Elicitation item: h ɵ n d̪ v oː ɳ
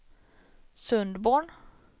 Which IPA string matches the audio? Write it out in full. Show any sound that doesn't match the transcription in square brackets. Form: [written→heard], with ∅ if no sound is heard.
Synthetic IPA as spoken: [h→s] ɵ n d̪ [v→b] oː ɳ